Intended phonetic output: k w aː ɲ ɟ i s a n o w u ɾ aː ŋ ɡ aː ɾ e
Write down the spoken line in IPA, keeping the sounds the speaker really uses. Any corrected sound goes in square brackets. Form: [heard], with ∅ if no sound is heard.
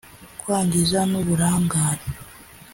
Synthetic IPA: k w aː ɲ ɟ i [z] a n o [β] u ɾ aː ŋ ɡ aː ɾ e